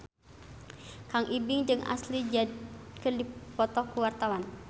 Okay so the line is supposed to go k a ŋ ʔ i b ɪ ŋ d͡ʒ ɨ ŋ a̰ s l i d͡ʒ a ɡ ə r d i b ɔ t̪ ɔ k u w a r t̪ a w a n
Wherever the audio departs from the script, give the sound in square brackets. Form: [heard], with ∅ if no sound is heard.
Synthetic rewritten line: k a ŋ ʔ i b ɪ ŋ d͡ʒ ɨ ŋ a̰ s l i d͡ʒ a [k] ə r d i [p] ɔ t̪ ɔ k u w a r t̪ a w a n